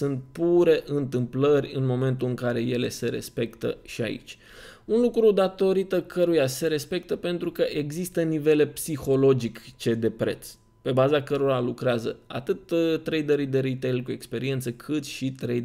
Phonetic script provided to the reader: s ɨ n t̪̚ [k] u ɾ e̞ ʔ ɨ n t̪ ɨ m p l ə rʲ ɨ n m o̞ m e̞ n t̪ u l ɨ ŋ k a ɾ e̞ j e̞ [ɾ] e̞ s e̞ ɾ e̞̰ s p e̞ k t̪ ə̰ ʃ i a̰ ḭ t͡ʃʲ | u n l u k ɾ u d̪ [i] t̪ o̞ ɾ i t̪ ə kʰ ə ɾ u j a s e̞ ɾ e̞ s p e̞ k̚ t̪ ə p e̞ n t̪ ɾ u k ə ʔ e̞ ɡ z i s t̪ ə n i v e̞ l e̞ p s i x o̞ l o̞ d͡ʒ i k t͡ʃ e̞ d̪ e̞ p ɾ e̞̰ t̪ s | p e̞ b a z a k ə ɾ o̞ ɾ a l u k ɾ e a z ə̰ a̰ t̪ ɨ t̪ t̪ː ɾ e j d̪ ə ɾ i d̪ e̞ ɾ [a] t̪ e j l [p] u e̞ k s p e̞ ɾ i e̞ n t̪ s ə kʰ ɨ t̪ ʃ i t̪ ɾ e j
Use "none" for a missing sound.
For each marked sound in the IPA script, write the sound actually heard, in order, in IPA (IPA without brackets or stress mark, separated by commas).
p, l, a, i, k